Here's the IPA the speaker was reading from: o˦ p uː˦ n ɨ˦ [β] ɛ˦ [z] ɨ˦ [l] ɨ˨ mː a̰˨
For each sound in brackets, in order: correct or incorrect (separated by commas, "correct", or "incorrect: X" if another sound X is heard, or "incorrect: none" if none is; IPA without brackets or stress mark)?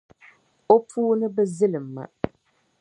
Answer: incorrect: b, correct, correct